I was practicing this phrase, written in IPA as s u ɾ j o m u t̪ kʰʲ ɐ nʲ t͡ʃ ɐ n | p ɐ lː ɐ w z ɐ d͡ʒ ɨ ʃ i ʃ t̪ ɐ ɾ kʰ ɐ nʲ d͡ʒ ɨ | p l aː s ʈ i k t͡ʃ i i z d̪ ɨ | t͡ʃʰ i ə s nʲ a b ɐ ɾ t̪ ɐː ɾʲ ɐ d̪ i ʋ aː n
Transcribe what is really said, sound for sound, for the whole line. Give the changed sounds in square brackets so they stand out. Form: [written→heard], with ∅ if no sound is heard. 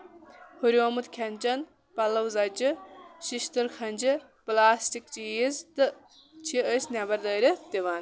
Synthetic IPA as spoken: [s→h] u ɾ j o m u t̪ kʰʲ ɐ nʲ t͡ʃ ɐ n | p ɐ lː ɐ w z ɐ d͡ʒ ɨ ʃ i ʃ t̪ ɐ ɾ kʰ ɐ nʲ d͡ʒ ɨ | p l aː s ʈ i k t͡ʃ i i z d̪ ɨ | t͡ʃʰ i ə s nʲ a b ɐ ɾ [t̪→d̪] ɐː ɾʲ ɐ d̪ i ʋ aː n